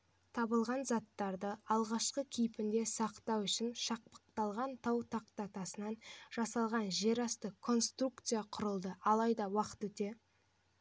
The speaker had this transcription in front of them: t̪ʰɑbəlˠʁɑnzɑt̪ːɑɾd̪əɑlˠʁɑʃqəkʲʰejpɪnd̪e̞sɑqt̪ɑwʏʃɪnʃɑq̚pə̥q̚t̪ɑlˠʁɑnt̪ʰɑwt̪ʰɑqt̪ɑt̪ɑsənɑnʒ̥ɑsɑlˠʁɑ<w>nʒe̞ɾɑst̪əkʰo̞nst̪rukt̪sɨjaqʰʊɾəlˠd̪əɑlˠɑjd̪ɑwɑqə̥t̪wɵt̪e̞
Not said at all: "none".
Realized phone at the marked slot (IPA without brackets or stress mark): none